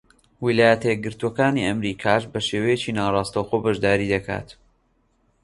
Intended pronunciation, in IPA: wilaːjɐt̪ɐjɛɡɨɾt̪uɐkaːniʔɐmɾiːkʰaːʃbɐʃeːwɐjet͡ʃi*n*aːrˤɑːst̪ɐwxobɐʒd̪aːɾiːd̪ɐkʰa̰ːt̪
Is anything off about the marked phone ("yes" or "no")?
no